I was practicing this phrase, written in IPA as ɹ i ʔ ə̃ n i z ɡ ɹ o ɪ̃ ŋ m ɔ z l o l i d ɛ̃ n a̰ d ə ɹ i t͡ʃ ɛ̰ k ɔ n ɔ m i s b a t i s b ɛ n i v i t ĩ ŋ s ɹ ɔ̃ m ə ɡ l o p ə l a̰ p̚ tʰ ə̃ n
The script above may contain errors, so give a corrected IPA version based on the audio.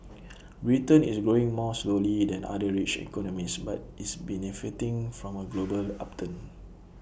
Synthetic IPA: ɹ i t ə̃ n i s ɡ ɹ o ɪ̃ ŋ m ɔ s l o l i d ɛ̃ n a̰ d ə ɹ i t͡ʃ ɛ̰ k ɔ n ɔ m i s b a t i s b ɛ n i f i t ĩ ŋ f ɹ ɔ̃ m ə ɡ l o b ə l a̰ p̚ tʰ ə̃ n